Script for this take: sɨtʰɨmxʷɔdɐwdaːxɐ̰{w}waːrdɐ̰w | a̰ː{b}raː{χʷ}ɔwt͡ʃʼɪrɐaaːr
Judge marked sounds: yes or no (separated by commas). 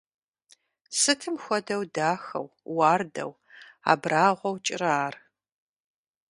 yes, yes, no